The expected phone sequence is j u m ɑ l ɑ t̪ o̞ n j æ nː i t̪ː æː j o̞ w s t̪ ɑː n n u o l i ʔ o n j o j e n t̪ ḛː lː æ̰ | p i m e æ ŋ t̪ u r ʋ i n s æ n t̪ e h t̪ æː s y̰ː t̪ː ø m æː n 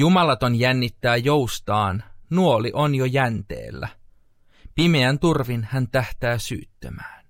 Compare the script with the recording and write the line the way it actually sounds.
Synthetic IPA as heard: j u m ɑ l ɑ t̪ o̞ n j æ nː i t̪ː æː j o̞ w s t̪ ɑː n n u o l i ʔ o n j o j æ n t̪ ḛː lː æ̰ | p i m e æ n t̪ u r ʋ i n h æ n t̪ æ h t̪ æː s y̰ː t̪ː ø m æː n